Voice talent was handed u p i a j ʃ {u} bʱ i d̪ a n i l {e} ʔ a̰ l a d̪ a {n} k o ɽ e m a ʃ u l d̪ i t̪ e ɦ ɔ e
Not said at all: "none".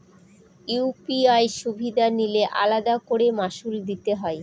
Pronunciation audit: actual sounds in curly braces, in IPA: u, e, none

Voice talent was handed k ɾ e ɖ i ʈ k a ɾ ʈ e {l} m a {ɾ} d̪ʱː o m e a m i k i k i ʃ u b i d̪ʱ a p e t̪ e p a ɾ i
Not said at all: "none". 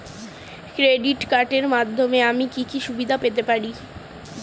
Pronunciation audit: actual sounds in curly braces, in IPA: ɾ, none

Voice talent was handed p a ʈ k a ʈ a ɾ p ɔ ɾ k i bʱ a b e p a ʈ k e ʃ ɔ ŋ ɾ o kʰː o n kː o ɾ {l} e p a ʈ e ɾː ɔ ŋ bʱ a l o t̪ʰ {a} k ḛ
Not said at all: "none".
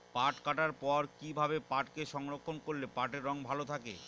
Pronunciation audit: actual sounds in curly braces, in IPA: l, a

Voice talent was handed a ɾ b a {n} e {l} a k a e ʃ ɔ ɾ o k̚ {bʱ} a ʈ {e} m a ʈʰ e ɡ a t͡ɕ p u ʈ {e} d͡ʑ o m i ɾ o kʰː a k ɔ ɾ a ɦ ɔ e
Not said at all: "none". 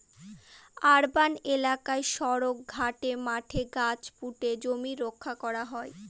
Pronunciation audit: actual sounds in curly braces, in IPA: n, l, ɡʱ, e, e

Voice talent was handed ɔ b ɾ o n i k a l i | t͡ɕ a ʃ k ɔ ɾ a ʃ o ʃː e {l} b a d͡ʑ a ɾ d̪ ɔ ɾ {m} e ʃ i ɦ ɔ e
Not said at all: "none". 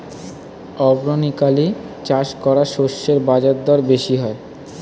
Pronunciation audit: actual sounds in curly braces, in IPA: ɾ, b

